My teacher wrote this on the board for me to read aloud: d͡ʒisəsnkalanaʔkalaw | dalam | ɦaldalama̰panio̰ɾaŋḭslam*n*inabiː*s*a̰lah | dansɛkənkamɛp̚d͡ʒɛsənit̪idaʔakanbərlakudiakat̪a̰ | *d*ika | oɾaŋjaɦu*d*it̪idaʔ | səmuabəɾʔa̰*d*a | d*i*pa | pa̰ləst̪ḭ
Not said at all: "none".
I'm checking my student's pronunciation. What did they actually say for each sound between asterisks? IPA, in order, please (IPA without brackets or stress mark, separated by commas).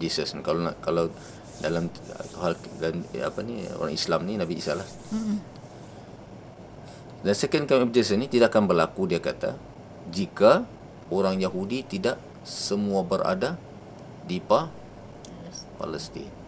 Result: n, s, d͡ʒ, d, d, i